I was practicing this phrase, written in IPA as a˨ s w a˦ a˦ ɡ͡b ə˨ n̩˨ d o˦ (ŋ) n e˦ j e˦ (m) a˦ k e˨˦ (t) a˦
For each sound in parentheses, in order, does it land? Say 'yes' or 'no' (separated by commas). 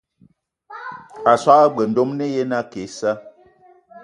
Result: no, no, no